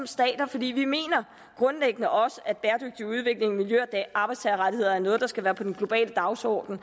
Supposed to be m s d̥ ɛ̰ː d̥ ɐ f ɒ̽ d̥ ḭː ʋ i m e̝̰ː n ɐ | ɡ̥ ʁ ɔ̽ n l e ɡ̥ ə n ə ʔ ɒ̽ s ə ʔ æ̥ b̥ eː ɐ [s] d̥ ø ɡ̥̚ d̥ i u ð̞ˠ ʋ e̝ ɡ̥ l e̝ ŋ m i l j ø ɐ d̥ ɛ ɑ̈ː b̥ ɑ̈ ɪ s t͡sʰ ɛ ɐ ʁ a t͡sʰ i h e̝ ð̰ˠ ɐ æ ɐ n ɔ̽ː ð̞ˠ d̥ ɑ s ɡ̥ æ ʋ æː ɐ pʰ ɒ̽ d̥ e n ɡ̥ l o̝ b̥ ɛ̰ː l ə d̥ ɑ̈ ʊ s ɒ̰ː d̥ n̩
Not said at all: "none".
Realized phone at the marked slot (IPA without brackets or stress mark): none